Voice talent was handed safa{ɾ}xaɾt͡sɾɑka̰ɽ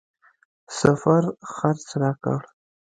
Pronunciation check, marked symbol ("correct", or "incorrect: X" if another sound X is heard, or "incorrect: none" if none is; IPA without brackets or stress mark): correct